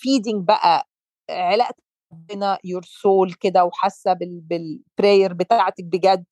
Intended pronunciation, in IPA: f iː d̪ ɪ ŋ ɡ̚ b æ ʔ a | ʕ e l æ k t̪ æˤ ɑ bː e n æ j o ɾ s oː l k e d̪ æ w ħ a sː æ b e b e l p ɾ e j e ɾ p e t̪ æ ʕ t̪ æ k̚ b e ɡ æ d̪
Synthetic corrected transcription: f iː d̪ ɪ ŋ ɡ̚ b æ ʔ æ | ʕ e l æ ʔ t̪ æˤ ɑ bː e n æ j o ɾ s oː l k e d̪ æ w ħ a sː æ b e b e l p ɾ e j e ɾ b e t̪ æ ʕ t̪ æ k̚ b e ɡ æ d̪